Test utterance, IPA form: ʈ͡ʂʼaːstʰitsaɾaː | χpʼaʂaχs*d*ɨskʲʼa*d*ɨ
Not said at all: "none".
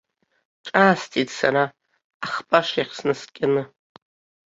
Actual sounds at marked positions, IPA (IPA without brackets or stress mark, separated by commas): n, n